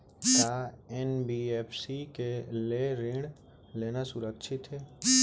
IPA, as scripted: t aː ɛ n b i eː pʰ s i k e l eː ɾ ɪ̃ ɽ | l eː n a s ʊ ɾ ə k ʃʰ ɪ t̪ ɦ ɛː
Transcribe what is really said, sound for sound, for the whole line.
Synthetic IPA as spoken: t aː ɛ n b i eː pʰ s i k e l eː ɾ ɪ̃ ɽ | l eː n a s ʊ ɾ ə k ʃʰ ɪ t̪ ɦ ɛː